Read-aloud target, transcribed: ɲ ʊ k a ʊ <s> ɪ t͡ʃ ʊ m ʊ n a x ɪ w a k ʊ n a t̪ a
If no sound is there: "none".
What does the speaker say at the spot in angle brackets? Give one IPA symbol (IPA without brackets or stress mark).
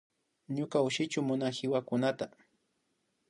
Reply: ʃ